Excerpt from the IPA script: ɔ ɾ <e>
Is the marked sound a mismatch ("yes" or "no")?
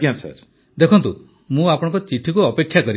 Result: yes